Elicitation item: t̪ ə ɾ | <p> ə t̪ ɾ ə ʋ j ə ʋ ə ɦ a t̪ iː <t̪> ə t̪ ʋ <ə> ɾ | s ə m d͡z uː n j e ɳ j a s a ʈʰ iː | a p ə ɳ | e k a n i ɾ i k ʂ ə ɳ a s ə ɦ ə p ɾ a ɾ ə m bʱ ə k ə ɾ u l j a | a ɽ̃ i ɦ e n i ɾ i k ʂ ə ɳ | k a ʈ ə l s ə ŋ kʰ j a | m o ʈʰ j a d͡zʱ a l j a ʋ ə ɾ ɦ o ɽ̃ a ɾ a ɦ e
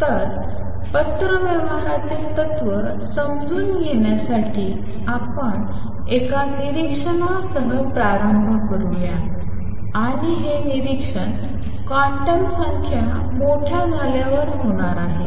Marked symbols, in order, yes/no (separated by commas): yes, yes, yes